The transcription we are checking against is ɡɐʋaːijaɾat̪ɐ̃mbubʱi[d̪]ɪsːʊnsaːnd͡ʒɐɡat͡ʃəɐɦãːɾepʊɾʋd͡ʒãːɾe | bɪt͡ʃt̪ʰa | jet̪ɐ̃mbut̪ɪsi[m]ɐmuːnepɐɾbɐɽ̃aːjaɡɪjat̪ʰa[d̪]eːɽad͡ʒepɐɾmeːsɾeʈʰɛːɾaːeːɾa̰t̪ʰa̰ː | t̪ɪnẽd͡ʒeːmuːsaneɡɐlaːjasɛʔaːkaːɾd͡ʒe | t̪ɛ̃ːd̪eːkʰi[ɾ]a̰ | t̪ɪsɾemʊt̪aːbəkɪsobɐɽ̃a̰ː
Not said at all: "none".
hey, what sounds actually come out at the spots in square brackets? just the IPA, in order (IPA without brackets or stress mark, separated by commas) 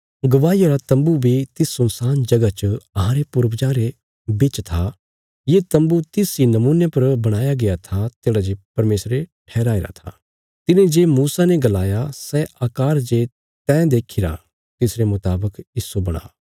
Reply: t̪, n, t̪, ɾ